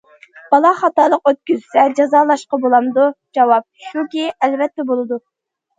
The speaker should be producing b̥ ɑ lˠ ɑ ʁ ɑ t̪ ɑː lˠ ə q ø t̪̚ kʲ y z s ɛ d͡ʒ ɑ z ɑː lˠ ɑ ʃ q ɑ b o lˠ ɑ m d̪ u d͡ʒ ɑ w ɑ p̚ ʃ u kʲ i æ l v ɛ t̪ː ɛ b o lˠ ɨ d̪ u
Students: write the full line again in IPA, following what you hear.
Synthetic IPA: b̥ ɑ lˠ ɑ χ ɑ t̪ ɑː lˠ ə q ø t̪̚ kʲ y z s ɛ d͡ʒ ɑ z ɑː lˠ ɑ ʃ q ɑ b o lˠ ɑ m d̪ u d͡ʒ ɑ w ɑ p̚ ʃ u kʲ i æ l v ɛ t̪ː ɛ b o lˠ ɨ d̪ u